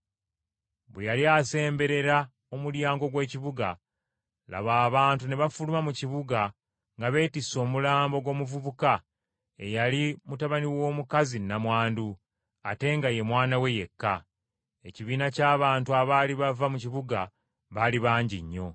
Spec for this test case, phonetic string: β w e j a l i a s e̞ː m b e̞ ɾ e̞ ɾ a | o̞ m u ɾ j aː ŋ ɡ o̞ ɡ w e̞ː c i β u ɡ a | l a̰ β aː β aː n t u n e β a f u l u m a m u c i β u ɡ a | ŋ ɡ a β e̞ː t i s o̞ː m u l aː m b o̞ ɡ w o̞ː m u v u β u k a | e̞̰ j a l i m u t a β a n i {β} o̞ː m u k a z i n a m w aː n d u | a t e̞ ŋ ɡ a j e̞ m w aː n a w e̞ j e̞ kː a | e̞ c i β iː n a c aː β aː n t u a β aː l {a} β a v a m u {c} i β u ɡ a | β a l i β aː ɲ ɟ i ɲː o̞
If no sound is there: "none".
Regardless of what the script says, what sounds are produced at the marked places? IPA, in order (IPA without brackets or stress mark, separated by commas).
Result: w, i, c